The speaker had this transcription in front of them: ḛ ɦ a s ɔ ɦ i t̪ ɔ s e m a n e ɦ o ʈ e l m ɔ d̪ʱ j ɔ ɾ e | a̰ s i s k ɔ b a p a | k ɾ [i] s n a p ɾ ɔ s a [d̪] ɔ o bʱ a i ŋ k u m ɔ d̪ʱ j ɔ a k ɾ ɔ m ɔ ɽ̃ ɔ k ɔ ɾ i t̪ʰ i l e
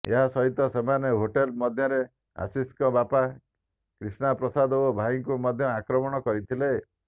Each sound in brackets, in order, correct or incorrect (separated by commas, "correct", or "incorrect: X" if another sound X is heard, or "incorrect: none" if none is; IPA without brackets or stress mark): correct, correct